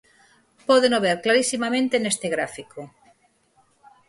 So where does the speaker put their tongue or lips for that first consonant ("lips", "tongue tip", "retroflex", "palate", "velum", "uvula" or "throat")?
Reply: lips